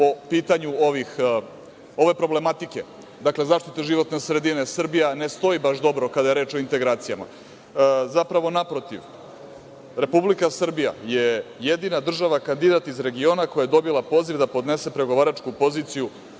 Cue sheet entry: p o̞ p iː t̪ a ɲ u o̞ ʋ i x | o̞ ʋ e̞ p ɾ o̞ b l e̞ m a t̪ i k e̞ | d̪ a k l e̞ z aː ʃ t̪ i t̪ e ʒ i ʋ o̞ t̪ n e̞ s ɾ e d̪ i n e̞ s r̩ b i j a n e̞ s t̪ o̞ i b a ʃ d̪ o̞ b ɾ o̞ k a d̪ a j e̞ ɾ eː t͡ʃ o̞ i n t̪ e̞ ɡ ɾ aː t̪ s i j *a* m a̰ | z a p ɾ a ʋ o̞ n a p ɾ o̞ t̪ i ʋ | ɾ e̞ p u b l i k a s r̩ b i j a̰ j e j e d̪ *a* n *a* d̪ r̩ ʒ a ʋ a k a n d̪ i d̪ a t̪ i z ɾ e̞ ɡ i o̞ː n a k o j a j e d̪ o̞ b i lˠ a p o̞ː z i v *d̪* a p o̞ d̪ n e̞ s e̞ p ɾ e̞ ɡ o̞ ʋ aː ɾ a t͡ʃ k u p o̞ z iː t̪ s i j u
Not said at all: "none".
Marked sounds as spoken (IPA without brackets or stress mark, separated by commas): a, i, a, d̪